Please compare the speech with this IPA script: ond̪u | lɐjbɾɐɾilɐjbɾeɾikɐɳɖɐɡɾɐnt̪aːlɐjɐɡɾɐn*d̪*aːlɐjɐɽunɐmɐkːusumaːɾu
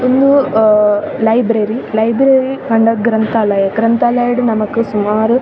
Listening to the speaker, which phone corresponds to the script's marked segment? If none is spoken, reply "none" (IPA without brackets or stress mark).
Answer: t̪